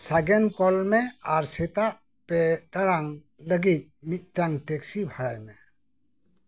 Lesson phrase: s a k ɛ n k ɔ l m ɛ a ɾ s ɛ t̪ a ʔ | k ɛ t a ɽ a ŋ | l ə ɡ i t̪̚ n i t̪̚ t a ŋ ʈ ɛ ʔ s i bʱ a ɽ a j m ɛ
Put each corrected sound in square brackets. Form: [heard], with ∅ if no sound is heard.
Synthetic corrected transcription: s a [ɡ] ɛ n k ɔ l m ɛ a ɾ s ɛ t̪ a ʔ | [p] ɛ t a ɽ a ŋ | l ə ɡ i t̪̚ [m] i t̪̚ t a ŋ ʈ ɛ [k] s i bʱ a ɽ a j m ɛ